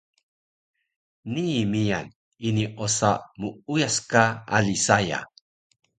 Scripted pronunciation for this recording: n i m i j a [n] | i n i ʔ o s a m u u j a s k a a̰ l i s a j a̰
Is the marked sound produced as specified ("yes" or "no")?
yes